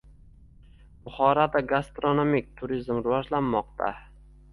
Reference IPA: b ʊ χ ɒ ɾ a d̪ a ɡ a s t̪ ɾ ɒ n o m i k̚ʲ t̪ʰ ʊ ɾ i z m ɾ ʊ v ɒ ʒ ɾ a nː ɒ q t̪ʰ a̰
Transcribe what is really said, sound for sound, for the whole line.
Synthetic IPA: b ʊ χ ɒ ɾ a d̪ a ɡ a s t̪ ɾ o n o m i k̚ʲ t̪ʰ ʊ ɾ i z m ɾ ʊ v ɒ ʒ l a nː ɒ q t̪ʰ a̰